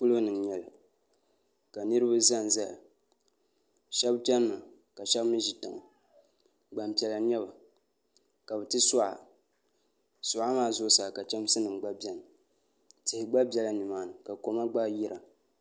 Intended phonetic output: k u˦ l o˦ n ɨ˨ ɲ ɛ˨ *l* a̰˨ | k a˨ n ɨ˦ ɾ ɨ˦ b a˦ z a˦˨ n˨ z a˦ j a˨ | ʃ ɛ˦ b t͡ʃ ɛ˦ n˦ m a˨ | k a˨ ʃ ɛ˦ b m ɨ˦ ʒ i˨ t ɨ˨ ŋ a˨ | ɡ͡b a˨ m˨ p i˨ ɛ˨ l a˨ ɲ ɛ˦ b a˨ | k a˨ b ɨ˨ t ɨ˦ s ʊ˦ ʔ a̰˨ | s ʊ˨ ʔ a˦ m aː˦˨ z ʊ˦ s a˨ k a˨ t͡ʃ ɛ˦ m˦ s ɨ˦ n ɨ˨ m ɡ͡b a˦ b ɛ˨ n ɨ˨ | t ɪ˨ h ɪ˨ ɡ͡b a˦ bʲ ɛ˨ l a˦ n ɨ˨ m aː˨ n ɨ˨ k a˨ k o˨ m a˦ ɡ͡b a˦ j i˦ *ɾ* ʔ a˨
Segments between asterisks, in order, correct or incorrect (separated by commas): correct, correct